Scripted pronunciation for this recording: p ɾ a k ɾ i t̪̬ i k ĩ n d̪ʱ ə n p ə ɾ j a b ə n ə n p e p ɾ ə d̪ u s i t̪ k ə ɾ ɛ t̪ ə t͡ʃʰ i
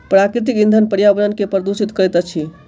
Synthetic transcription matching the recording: p ɾ a k ɾ i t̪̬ i k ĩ n d̪ʱ ə n p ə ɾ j a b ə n ə n k e p ɾ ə d̪ u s i t̪ k ə ɾ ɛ t̪ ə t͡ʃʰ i